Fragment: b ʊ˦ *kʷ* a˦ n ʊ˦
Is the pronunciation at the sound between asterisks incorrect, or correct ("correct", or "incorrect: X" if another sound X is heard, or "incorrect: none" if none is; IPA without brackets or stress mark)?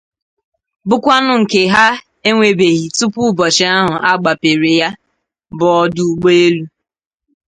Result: correct